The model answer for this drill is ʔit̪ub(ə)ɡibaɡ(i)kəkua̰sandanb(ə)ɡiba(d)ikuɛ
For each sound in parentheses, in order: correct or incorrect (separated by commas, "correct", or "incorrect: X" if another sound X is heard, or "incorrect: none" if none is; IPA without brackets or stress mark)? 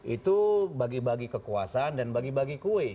incorrect: a, correct, incorrect: a, incorrect: ɡ